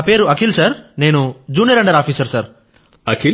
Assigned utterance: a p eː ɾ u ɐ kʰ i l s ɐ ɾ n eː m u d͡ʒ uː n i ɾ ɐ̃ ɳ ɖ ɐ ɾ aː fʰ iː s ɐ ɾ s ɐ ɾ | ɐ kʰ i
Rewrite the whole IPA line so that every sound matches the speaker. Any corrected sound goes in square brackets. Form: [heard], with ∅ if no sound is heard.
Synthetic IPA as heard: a p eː ɾ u ɐ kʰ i l s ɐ ɾ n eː [n] u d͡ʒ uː n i ɾ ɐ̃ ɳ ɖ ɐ ɾ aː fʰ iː s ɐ ɾ s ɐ ɾ | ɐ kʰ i